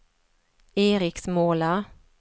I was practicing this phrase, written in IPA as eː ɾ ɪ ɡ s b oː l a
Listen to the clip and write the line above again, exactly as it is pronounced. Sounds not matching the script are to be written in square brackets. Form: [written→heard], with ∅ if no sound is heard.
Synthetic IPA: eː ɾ ɪ [ɡ→k] s [b→m] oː l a